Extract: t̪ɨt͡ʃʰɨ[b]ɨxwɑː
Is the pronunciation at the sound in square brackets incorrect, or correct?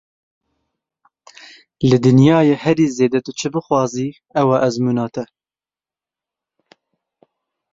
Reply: correct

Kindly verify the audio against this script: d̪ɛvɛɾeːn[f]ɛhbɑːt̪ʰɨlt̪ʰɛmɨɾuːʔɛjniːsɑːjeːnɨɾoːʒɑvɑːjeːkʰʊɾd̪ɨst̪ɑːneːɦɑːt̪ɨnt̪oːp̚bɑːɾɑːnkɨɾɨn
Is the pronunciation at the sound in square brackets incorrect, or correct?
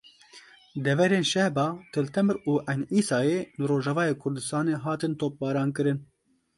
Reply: incorrect: ʃ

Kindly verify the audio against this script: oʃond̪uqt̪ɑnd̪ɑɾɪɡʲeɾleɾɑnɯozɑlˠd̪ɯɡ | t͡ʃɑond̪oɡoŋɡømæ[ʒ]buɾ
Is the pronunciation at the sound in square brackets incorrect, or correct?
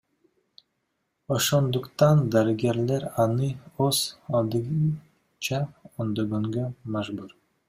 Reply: correct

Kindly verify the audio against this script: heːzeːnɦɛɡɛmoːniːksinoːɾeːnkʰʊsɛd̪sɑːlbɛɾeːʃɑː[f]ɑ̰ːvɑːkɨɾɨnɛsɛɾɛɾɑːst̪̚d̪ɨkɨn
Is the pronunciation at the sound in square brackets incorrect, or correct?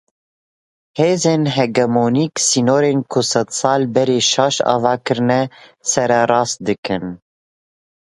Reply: incorrect: ʃ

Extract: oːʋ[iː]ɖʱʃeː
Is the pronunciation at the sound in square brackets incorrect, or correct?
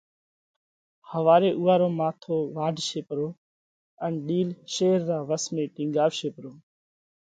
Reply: incorrect: aː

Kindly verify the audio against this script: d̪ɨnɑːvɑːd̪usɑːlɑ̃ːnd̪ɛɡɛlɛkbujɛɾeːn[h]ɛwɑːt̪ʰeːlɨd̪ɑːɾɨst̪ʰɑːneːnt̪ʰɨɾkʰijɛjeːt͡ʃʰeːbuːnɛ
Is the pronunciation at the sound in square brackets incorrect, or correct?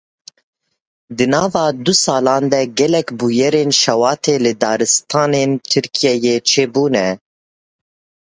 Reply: incorrect: ʃ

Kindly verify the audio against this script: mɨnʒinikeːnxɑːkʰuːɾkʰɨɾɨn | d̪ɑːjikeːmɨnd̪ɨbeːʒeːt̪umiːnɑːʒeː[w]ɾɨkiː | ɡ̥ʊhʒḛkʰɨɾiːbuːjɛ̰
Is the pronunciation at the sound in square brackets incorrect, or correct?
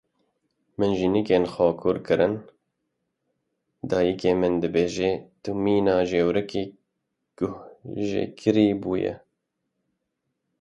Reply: correct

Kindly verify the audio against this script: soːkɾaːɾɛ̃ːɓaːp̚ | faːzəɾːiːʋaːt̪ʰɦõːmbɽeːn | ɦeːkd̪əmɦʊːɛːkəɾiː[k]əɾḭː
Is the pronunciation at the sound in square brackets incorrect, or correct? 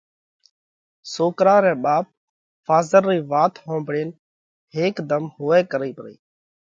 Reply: incorrect: p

